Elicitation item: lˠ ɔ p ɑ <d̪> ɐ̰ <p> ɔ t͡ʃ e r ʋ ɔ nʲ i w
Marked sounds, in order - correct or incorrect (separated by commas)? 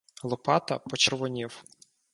incorrect, correct